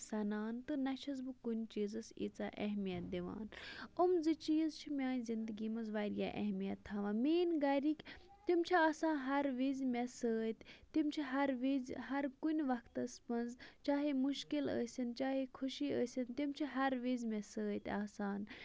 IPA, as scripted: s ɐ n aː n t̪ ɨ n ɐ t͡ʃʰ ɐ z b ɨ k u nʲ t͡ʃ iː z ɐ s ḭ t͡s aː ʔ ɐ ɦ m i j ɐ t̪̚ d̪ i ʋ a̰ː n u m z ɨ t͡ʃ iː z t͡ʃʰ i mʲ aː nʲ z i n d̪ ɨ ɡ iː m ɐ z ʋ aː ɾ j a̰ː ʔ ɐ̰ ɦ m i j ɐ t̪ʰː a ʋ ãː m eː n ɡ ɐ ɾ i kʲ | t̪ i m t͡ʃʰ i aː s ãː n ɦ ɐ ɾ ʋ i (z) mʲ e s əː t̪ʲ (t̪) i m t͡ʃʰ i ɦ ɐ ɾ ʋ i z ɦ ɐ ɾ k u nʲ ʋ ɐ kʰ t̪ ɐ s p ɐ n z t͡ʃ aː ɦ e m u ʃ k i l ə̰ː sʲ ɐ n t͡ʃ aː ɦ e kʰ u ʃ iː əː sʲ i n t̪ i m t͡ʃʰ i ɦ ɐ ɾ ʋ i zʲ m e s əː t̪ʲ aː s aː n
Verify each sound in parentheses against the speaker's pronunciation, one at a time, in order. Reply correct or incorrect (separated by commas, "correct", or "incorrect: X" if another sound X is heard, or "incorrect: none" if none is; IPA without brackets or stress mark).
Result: correct, correct